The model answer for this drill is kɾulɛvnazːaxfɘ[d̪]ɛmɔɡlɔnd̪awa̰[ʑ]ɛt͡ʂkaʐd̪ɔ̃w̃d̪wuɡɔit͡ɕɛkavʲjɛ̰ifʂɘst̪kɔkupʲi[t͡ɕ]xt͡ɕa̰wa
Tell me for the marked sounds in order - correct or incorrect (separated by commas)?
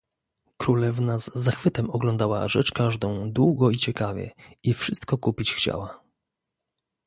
incorrect, incorrect, correct